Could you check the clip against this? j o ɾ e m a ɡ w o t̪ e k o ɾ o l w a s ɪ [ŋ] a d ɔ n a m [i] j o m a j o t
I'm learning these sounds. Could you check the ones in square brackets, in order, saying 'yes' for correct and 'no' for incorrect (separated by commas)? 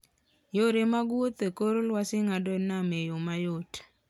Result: yes, no